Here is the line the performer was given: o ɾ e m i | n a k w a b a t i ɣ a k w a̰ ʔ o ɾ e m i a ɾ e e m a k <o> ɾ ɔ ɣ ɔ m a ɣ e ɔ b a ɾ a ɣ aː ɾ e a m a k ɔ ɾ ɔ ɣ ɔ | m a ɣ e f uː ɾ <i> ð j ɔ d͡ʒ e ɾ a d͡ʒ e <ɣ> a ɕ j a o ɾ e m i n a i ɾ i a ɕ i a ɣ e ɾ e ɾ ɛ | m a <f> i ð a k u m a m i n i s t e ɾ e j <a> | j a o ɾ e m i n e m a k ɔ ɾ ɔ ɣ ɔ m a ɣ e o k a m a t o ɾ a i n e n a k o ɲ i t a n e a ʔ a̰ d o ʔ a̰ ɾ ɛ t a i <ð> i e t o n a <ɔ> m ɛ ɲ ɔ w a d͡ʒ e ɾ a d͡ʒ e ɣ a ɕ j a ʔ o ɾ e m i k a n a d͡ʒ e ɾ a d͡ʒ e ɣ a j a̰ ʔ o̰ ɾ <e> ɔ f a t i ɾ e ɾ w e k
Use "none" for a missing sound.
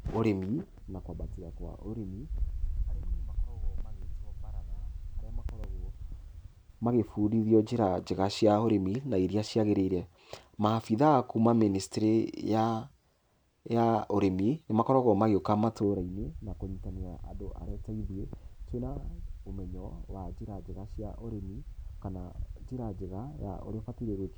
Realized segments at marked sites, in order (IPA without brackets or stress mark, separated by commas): ɔ, i, ɣ, f, a, ð, o, e